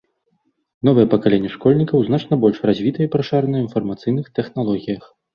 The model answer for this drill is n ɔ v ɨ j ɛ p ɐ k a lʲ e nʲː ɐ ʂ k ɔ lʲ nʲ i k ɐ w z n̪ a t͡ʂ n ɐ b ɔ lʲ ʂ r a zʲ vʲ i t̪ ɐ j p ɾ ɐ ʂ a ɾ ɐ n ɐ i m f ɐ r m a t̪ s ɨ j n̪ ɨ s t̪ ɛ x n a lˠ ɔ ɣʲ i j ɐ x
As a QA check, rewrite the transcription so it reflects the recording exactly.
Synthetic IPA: n ɔ v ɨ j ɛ p ɐ k a lʲ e nʲː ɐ ʂ k ɔ lʲ nʲ i k ɐ w z n̪ a t͡ʂ n ɐ b ɔ lʲ ʂ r a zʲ vʲ i t̪ ɐ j p ɾ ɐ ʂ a ɾ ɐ n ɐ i n f ɐ r m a t̪ s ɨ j n̪ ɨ x t̪ ɛ x n a lˠ ɔ ɣʲ i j ɐ x